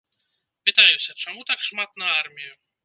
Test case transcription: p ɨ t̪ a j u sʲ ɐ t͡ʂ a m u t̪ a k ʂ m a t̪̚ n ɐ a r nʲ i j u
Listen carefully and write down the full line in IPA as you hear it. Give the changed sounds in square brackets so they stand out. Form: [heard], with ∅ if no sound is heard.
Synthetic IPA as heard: p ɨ t̪ a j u sʲ ɐ t͡ʂ a m u t̪ a k ʂ m a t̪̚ n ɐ a r [mʲ] i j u

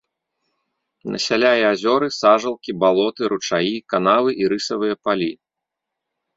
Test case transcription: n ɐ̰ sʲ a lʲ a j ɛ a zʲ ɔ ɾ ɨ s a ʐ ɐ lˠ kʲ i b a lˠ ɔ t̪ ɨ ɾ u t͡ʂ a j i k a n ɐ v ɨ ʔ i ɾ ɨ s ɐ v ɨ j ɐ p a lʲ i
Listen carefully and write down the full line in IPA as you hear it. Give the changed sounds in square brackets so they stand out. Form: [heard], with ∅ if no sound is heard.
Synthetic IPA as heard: n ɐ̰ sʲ a lʲ a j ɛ a zʲ ɔ ɾ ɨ s a ʐ ɐ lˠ kʲ i b a lˠ ɔ t̪ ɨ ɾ u t͡ʂ a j i k a n [a] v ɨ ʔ i ɾ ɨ s ɐ v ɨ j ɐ p a lʲ i

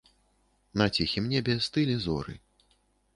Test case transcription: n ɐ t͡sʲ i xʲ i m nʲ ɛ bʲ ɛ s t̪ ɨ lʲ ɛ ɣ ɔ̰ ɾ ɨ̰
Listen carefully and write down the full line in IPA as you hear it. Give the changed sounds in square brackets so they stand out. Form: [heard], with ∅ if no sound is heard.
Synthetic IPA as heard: n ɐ t͡sʲ i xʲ i m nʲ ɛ bʲ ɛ s t̪ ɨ lʲ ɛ [z] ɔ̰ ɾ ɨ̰

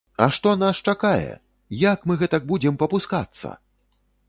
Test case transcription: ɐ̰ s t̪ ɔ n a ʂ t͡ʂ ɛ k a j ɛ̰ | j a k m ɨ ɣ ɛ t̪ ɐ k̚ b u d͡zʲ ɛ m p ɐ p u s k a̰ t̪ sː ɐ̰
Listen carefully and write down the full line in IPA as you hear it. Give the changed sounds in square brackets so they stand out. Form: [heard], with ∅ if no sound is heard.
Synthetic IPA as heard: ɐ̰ [ʂ] t̪ ɔ n a ʂ t͡ʂ [a] k a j ɛ̰ | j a k m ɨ ɣ ɛ t̪ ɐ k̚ b u d͡zʲ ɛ m p ɐ p u s k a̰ t̪ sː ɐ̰

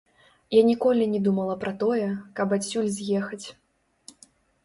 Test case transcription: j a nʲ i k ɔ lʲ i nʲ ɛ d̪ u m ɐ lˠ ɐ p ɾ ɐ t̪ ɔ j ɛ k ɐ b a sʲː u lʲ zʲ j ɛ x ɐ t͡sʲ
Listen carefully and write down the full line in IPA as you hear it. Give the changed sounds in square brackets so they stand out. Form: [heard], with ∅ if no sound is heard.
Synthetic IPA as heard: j a nʲ i k ɔ lʲ i nʲ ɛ d̪ u m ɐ lˠ ɐ p ɾ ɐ t̪ ɔ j ɛ k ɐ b a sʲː u lʲ zʲ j ɛ x ɐ t͡sʲ

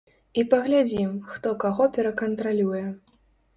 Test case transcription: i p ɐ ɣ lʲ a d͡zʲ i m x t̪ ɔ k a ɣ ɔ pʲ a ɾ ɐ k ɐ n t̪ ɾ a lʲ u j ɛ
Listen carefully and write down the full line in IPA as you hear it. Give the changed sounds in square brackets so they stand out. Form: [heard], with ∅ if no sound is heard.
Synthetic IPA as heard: i p ɐ ɣ lʲ a d͡zʲ i m x t̪ ɔ k a ɣ ɔ pʲ [ɛ] ɾ ɐ k ɐ n t̪ ɾ a lʲ u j ɛ

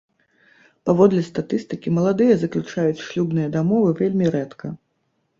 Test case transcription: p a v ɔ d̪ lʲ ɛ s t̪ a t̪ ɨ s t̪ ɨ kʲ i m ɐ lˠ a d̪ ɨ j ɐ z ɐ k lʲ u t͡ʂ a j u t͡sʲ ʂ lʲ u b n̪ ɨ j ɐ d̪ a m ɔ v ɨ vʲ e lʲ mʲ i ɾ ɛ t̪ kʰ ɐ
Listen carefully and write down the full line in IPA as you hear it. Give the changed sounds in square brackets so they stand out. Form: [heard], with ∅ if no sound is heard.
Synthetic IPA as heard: p a v ɔ d̪ lʲ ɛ s t̪ a t̪ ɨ s t̪ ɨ kʲ i m ɐ lˠ a d̪ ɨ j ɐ z ɐ k lʲ u t͡ʂ a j u t͡sʲ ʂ lʲ u b n̪ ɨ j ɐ d̪ a m ɔ v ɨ vʲ e lʲ mʲ i ɾ ɛ t̪ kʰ ɐ

